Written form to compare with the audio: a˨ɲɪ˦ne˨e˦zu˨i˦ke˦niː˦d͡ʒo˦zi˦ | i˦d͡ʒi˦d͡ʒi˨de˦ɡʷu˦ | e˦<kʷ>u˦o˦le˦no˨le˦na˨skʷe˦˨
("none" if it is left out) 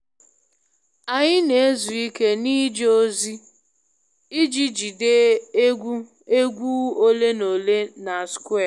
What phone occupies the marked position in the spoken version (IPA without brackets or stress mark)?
ɡʷ